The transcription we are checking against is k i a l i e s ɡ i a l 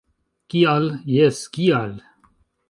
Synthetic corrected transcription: k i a l j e s k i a l